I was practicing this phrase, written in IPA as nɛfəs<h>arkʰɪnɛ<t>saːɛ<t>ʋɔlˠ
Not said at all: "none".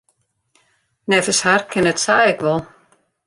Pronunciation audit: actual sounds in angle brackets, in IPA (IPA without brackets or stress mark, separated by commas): h, t, k